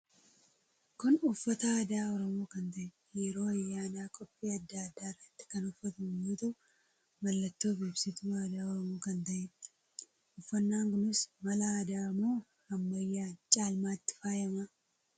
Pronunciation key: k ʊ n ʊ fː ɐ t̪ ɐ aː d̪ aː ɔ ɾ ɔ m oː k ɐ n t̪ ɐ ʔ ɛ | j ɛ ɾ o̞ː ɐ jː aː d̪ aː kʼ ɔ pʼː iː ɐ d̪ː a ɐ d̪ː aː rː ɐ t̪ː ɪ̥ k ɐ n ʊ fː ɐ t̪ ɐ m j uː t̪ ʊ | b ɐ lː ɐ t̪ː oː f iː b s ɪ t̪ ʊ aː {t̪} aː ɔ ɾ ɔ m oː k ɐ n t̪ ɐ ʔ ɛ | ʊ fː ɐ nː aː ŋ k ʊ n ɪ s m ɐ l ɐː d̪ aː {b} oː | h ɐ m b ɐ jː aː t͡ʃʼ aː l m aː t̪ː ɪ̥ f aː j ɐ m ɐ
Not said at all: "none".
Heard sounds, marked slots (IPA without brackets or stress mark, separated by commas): d̪, m